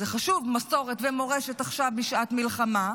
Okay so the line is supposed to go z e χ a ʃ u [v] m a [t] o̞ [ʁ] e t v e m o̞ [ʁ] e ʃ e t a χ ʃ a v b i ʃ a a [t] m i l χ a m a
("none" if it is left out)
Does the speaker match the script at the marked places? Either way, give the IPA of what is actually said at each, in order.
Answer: v, s, ʁ, ʁ, t

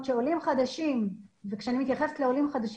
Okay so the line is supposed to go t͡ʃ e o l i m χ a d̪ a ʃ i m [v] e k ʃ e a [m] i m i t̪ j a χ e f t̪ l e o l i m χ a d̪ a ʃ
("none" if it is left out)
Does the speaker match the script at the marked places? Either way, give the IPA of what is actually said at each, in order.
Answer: v, n

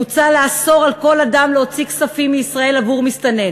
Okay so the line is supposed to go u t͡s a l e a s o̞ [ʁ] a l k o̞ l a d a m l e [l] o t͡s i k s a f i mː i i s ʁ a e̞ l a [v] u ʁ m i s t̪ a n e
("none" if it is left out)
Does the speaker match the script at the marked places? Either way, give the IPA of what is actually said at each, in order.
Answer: ʁ, none, v

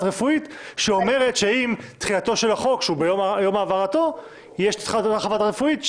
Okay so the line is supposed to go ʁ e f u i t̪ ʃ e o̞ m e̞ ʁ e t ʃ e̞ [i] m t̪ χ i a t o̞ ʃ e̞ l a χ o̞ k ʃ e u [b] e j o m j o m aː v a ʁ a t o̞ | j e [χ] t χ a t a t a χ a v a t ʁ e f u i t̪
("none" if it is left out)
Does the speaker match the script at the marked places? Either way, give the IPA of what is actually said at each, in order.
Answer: i, b, ʃ

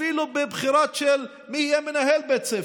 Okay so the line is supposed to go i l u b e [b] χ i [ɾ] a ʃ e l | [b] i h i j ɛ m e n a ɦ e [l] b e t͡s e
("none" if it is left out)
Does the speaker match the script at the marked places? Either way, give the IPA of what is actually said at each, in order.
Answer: b, ɾ, m, l

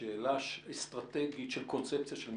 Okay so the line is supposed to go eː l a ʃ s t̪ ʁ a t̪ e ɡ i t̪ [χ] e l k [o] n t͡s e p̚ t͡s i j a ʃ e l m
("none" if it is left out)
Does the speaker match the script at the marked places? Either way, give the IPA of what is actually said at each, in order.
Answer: ʃ, o

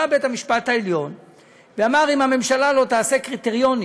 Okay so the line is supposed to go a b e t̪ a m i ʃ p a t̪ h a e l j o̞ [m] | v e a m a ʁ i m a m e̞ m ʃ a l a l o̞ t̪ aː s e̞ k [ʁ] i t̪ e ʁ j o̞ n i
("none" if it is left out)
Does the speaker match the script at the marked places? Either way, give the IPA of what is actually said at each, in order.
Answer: n, ʁ

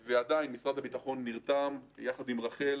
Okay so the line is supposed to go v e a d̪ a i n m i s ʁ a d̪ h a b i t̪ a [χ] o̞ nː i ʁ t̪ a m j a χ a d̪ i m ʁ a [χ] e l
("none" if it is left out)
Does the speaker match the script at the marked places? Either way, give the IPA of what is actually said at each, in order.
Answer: χ, χ

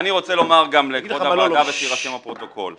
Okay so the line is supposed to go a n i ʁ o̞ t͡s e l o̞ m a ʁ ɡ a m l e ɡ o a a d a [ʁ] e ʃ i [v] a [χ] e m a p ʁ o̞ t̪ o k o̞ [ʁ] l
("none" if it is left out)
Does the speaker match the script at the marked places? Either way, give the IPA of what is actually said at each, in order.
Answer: v, ʁ, ʃ, none

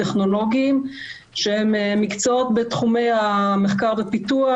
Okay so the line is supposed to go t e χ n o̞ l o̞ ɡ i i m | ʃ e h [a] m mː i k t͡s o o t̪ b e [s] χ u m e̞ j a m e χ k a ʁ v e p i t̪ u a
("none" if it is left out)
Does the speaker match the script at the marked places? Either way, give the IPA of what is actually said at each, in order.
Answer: e, t

